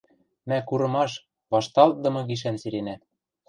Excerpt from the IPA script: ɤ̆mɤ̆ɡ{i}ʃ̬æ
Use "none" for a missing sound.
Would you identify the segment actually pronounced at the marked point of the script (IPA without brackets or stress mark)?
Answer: i